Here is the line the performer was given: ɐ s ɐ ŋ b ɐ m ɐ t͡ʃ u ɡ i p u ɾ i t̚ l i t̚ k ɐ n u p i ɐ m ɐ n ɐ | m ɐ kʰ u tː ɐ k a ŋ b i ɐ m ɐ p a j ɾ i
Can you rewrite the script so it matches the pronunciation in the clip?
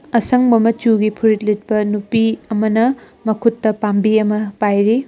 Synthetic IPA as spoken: ɐ s ɐ ŋ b ɐ m ɐ t͡ʃ u ɡ i pʰ u ɾ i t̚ l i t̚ p ɐ n u p i ɐ m ɐ n ɐ | m ɐ kʰ u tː ɐ p a m b i ɐ m ɐ p a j ɾ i